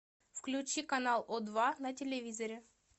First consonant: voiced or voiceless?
voiceless